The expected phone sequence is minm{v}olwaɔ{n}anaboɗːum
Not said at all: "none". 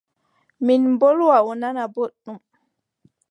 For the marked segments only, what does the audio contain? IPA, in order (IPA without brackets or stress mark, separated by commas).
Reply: b, n